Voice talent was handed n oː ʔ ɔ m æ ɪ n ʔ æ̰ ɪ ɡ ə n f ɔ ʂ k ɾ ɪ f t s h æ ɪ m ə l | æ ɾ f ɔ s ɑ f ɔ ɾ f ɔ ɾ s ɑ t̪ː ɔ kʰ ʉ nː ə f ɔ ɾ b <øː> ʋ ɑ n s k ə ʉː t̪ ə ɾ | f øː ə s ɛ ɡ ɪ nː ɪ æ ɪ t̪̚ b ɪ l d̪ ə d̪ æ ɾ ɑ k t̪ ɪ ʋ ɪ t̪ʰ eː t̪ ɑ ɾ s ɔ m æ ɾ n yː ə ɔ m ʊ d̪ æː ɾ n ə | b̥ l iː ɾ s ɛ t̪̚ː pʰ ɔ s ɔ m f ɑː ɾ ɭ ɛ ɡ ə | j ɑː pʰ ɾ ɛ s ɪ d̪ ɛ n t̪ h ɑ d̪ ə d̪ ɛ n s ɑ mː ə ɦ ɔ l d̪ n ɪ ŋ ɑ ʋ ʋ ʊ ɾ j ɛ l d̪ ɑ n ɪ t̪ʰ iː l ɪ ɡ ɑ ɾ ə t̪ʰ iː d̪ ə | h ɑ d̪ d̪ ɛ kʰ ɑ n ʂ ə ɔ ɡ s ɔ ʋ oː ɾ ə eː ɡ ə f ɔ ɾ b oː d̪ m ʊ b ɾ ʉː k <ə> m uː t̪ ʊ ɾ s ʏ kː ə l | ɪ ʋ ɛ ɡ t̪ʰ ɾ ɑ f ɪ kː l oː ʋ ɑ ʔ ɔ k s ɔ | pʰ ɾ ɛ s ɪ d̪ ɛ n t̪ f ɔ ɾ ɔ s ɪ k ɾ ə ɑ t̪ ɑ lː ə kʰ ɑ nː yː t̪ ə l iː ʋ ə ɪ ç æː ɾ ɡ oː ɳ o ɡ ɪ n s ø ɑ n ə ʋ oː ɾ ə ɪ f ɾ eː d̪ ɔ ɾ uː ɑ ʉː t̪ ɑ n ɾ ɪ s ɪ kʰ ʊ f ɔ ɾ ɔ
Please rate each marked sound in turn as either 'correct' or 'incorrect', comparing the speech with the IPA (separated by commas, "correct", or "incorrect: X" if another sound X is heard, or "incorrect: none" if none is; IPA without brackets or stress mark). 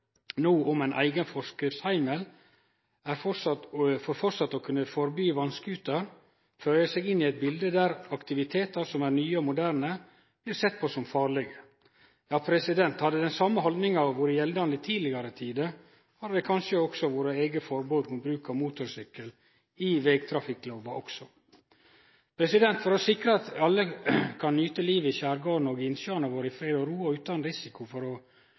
incorrect: yː, incorrect: ɑ